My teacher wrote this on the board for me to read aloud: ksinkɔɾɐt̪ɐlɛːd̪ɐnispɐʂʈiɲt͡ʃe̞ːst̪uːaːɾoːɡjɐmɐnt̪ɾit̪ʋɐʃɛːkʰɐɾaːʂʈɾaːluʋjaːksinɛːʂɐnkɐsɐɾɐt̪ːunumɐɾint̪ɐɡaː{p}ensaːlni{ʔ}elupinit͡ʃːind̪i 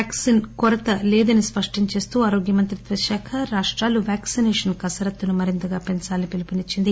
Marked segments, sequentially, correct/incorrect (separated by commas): correct, incorrect